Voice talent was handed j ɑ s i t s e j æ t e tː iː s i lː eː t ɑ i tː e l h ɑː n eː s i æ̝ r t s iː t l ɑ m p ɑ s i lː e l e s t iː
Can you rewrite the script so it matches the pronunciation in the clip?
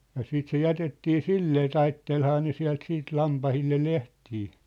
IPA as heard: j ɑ s iː t s e j æ t e tː iː s i lː eː t ɑ i tː e l h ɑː n e s i æ̝ l t s iː t l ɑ m p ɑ h i lː e l e h t iː